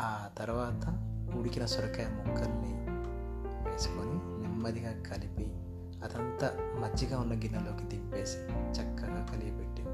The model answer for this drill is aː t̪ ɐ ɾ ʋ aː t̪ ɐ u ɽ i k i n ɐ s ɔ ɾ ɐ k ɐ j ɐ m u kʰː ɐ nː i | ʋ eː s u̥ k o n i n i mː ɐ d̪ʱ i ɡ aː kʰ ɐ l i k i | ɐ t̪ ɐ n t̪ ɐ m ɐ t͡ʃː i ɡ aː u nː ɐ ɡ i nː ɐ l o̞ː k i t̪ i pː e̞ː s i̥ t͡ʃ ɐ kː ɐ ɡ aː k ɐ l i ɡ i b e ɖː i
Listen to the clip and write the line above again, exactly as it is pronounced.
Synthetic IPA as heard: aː t̪ ɐ ɾ ʋ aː t̪ ɐ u ɽ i k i n ɐ s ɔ ɾ ɐ k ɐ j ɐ m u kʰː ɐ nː i | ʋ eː s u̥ k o n i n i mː ɐ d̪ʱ i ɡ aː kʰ ɐ l i p i | ɐ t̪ ɐ n t̪ ɐ m ɐ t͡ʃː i ɡ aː u nː ɐ ɡ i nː ɐ l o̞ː k i t̪ i pː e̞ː s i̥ t͡ʃ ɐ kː ɐ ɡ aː k ɐ l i ɡ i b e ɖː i